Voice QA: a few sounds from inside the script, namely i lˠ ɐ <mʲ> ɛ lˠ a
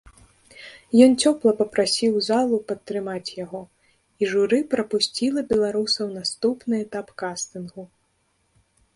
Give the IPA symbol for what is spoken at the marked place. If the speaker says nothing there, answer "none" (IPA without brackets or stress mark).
bʲ